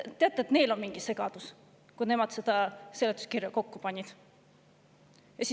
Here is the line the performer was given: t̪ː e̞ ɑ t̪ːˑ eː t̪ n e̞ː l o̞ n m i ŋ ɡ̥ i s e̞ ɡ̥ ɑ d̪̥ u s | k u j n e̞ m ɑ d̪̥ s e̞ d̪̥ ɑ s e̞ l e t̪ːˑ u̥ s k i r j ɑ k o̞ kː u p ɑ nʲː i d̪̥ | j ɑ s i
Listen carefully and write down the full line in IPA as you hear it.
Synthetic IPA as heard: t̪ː e̞ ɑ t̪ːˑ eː t̪ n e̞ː l o̞ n m i ŋ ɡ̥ i s e̞ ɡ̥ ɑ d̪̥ u s | k u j n e̞ m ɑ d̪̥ s e̞ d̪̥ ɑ s e̞ l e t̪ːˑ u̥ s k i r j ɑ k o̞ kː u p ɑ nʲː i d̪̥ | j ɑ s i